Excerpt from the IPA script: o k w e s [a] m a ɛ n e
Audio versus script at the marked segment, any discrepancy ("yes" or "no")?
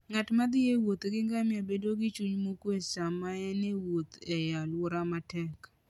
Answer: no